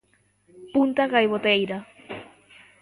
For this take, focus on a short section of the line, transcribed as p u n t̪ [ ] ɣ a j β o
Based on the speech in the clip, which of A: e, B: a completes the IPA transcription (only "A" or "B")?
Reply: B